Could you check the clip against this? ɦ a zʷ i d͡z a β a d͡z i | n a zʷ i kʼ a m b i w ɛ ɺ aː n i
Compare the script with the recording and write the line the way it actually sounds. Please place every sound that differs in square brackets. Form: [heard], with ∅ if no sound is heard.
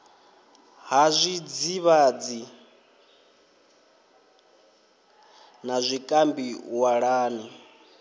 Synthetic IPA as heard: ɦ a zʷ i d͡z [i] β a d͡z i | n a zʷ i kʼ a m b i w [a] ɺ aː n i